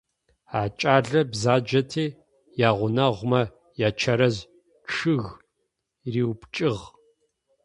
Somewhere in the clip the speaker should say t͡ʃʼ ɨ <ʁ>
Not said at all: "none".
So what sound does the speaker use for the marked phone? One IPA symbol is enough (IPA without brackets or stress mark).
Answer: ʁ